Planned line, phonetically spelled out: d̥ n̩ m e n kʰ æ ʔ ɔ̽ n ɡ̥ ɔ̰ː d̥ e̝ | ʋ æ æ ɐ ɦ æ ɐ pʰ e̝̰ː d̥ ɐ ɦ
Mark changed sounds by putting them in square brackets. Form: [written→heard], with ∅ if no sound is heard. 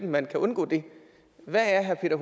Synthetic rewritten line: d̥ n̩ m [e→æ] n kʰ æ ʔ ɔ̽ n ɡ̥ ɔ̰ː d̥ e̝ | ʋ æ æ ɐ ɦ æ ɐ pʰ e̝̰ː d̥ ɐ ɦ